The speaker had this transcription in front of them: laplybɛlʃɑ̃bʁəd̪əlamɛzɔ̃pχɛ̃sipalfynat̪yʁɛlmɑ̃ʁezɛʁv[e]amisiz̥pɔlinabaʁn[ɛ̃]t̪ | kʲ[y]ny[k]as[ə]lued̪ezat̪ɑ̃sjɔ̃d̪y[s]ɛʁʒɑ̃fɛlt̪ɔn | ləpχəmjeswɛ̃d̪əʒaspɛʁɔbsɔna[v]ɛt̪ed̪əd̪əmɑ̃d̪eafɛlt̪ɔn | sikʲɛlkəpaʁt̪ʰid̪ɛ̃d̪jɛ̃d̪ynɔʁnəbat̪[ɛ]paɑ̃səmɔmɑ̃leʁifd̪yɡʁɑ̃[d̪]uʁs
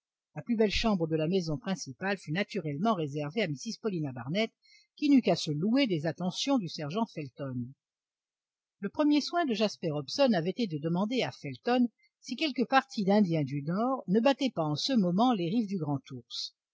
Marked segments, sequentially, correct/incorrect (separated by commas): correct, incorrect, incorrect, correct, correct, correct, correct, correct, incorrect